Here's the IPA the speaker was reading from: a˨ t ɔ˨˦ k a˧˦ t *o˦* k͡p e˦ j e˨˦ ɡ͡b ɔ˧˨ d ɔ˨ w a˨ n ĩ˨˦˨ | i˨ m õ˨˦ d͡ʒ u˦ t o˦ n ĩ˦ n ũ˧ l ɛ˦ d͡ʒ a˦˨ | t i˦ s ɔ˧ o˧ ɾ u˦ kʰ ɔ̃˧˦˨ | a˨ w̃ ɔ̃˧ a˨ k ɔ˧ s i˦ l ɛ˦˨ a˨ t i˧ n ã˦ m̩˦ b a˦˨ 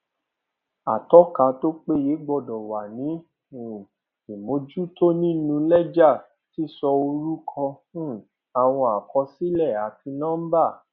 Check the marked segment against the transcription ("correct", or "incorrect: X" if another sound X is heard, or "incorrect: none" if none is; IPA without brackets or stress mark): correct